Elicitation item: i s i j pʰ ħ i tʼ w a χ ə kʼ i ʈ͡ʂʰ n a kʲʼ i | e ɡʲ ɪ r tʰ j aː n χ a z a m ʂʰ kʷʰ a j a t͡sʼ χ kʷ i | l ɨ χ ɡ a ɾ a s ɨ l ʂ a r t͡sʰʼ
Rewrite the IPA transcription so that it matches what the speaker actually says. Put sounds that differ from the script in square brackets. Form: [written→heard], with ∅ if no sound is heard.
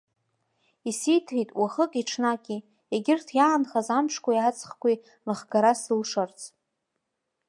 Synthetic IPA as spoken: i s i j [pʰ→tʰ] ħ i tʼ w a χ ə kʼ i ʈ͡ʂʰ n a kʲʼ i | e ɡʲ ɪ r tʰ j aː n χ a z a m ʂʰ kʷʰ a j a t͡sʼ χ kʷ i | l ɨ χ ɡ a ɾ a s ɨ l ʂ a r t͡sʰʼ

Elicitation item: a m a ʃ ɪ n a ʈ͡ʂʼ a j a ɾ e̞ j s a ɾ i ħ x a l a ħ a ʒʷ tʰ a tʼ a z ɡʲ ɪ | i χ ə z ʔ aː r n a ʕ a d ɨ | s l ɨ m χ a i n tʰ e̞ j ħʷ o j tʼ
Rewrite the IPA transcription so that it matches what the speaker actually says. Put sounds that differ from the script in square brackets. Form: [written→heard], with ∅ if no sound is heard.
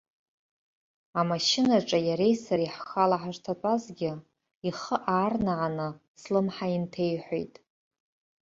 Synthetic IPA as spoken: a m a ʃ ɪ n a ʈ͡ʂʼ a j a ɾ e̞ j s a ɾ i ħ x a l a ħ a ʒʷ tʰ a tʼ a z ɡʲ ɪ | i χ ə [z→∅] ʔ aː r n a ʕ a [d→n] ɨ | s l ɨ m [χ→ħ] a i n tʰ e̞ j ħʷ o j tʼ

